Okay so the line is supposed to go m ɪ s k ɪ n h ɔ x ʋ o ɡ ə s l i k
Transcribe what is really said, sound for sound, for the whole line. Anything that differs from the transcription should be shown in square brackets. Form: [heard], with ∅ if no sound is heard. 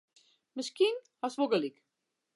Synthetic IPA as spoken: m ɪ s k [i] n h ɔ [s] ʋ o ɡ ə [∅] l i k